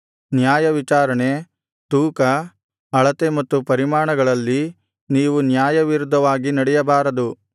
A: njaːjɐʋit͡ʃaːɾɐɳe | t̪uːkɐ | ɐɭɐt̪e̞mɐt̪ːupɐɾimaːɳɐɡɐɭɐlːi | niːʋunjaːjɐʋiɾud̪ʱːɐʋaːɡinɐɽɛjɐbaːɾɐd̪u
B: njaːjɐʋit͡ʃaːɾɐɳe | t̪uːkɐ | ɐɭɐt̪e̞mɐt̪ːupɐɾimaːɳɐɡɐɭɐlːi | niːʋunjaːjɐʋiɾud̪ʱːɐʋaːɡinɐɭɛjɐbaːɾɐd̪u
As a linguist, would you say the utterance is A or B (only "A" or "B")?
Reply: A